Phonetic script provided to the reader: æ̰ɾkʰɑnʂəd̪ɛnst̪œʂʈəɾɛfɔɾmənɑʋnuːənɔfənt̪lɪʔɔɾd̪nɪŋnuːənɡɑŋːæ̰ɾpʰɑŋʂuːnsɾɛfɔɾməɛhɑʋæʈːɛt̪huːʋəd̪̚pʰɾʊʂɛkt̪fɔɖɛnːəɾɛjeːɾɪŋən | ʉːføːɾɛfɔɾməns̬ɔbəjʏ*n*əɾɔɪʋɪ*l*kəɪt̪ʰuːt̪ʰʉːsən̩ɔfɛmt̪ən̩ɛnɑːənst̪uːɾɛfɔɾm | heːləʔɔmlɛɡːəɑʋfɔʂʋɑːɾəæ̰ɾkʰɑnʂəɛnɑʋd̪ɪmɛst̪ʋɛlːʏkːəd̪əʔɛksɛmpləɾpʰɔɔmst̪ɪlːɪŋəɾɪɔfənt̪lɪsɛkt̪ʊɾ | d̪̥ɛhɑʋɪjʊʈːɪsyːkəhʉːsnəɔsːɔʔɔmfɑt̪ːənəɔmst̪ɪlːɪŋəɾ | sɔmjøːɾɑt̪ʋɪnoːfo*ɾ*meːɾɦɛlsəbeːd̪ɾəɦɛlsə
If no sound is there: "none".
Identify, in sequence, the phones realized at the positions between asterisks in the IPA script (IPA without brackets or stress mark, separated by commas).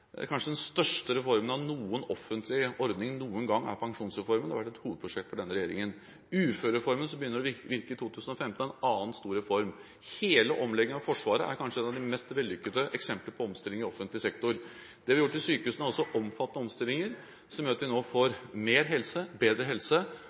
nː, ɾ, ɾ